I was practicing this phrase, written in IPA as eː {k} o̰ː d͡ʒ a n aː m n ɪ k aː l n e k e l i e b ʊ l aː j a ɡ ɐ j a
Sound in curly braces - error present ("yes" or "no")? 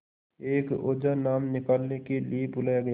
no